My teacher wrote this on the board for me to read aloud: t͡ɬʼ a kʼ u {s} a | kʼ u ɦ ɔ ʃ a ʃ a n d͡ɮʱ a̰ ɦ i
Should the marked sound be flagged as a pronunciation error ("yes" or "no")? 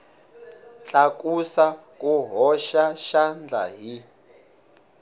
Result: no